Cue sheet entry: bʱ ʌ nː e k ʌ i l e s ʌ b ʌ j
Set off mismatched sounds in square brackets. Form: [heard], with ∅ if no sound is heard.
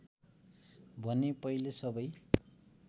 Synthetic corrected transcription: bʱ ʌ [n] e [p] ʌ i l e s ʌ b ʌ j